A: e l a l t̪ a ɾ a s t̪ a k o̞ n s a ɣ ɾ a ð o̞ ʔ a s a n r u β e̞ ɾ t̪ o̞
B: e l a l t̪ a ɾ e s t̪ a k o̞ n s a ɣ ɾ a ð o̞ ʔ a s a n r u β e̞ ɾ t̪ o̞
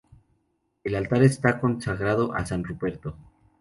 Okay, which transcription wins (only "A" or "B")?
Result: B